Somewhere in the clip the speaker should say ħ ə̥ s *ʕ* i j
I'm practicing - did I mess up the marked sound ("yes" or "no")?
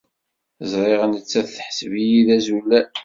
yes